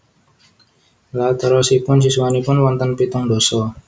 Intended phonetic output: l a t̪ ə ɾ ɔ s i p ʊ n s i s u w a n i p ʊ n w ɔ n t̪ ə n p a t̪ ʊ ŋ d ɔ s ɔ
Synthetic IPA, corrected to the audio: l a t̪ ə ɾ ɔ s i p ʊ n s i s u w a n i p ʊ n w ɔ n t̪ ə n p i t̪ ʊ ŋ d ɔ s ɔ